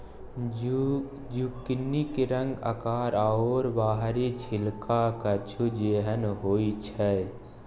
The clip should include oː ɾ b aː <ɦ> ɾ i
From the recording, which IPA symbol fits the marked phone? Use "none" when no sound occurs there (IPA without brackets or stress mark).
ɦ